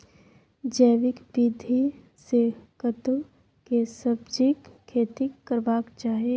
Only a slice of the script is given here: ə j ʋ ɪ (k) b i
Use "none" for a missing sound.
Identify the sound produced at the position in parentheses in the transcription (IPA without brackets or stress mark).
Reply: k